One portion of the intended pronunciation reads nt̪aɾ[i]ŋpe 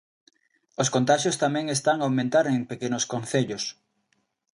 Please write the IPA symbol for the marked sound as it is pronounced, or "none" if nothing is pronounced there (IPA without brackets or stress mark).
e